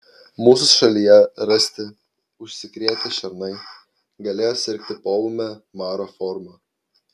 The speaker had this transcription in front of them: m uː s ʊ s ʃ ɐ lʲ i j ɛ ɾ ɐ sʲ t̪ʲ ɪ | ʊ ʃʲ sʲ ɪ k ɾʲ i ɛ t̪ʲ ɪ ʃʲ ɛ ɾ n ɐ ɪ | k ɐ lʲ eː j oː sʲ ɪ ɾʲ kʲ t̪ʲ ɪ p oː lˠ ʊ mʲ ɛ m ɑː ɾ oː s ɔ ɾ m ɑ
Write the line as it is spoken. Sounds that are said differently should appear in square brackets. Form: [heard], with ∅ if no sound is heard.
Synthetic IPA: m uː s ʊ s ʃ ɐ lʲ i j ɛ ɾ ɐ sʲ t̪ʲ ɪ | ʊ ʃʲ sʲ ɪ k ɾʲ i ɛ t̪ʲ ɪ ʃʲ ɛ ɾ n ɐ ɪ | [ɡ] ɐ lʲ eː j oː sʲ ɪ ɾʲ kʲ t̪ʲ ɪ p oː lˠ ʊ mʲ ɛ m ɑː ɾ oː [f] ɔ ɾ m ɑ